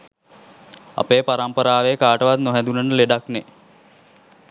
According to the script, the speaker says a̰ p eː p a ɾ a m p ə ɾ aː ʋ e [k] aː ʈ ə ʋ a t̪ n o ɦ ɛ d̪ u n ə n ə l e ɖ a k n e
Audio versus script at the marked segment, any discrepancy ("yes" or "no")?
no